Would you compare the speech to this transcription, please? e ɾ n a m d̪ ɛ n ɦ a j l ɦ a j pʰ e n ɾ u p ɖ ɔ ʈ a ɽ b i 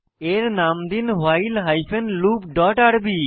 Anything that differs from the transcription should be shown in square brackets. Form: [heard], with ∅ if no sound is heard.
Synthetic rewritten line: e ɾ n a m d̪ [i] n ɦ a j l ɦ a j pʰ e n [l] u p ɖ ɔ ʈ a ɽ b i